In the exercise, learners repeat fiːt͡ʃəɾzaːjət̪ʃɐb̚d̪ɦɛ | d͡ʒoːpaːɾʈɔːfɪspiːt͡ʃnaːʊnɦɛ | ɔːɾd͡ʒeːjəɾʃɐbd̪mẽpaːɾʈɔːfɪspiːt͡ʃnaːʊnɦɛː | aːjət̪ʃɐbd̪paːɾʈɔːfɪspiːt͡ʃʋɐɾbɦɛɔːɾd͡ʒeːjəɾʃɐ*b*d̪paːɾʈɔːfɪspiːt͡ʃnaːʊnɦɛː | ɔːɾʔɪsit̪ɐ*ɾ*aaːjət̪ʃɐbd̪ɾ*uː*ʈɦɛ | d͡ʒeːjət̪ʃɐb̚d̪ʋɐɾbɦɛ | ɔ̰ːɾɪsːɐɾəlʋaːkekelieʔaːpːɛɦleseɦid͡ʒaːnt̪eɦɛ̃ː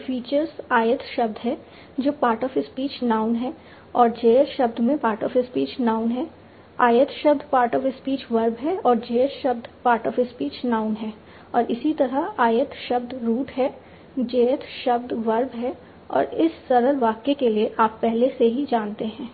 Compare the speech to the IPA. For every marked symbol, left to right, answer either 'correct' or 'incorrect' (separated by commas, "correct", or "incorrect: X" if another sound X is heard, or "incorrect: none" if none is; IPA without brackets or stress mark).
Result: correct, correct, correct